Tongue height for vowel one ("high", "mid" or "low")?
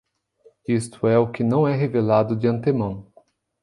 high